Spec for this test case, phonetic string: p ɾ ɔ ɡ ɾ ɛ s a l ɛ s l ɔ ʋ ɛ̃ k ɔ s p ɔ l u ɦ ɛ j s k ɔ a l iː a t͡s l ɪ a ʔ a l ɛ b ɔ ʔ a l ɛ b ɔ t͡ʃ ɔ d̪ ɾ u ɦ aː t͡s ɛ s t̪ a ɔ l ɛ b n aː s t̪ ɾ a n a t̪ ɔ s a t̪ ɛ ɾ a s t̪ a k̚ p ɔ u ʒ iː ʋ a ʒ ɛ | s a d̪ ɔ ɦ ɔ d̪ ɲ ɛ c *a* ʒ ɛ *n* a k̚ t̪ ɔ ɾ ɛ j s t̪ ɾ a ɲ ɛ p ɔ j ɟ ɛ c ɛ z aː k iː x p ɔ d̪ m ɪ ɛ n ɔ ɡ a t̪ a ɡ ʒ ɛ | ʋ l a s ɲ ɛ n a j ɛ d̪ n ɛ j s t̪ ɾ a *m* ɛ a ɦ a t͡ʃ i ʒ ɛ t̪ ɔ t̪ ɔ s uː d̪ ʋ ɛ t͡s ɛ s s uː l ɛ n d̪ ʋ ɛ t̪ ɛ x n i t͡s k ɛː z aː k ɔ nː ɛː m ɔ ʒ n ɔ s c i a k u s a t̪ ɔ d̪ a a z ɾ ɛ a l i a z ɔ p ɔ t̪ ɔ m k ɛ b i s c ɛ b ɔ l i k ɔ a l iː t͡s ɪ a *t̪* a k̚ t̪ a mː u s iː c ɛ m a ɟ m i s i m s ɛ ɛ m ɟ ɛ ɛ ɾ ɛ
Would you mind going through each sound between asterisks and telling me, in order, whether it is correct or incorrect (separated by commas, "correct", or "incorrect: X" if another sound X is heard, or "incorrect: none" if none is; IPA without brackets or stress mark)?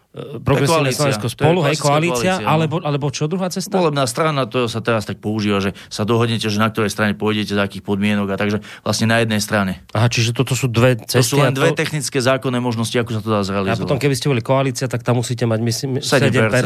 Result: incorrect: ɛ, correct, incorrect: ɲ, correct